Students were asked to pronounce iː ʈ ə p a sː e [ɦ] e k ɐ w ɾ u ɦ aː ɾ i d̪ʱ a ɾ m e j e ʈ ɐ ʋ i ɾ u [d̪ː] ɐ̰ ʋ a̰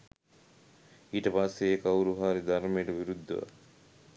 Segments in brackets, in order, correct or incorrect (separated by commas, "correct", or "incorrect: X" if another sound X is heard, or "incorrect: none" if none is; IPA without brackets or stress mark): incorrect: none, correct